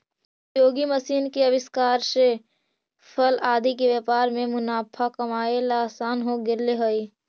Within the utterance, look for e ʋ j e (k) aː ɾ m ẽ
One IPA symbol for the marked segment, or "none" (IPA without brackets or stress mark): p